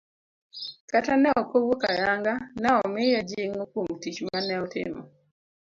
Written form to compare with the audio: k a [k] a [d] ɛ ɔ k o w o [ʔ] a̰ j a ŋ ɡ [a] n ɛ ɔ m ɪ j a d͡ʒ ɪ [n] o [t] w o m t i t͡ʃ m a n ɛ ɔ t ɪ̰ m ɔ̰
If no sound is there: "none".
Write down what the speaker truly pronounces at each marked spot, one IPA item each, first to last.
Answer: t, n, k, a, ŋ, k

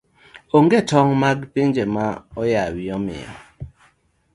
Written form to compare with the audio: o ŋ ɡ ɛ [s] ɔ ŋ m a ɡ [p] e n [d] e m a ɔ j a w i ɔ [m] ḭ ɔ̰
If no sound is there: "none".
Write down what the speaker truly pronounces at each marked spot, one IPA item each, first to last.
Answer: t, p, d͡ʒ, m

